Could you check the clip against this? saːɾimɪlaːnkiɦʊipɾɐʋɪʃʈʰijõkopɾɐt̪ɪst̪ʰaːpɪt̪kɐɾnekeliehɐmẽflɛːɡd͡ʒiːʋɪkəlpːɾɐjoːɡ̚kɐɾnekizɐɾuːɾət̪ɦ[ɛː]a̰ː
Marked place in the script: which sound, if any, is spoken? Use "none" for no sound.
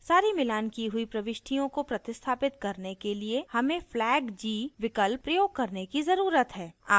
ɛː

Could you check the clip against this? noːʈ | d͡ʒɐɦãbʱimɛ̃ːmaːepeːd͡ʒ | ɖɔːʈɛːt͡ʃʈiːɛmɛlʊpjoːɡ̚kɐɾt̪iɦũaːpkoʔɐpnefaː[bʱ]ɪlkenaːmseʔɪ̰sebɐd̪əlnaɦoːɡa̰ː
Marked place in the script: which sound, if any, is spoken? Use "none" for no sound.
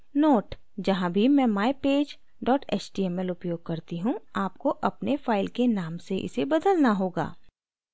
none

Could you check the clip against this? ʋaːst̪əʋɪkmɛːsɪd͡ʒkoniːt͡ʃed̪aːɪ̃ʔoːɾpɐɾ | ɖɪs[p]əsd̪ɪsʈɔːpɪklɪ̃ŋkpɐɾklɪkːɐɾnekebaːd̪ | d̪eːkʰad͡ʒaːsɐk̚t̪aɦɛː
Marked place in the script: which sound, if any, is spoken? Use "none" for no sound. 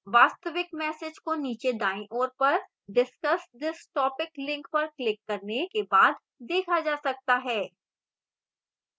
k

